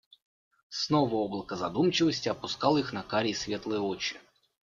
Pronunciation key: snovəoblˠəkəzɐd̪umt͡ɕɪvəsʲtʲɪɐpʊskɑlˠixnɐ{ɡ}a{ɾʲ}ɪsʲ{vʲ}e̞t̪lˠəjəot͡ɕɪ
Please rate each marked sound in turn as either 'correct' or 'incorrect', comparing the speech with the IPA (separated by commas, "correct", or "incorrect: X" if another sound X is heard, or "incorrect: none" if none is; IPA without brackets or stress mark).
incorrect: k, correct, correct